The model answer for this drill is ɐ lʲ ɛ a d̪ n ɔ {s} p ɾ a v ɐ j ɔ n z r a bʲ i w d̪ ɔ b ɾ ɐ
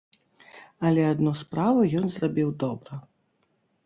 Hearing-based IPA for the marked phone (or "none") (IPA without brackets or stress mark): s